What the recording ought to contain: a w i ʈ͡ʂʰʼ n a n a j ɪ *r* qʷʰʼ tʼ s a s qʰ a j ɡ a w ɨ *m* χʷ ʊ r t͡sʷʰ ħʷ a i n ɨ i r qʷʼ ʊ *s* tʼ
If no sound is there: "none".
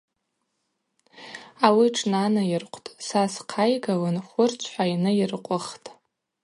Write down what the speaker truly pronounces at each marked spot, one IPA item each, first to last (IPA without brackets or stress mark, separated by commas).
r, n, χ